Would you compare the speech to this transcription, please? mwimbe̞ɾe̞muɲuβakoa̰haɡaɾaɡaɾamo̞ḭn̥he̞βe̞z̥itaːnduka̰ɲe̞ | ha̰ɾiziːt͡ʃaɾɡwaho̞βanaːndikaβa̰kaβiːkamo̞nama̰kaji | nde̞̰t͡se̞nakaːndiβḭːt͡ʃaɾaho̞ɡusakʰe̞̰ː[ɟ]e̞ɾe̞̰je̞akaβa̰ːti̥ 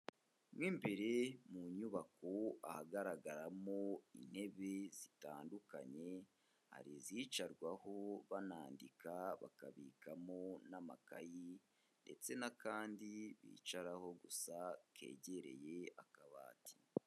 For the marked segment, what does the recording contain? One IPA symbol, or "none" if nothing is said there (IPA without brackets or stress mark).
ɟ